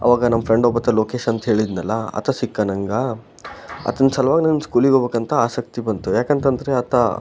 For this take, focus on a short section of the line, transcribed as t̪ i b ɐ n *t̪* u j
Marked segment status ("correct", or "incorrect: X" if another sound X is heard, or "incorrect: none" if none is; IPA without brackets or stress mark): correct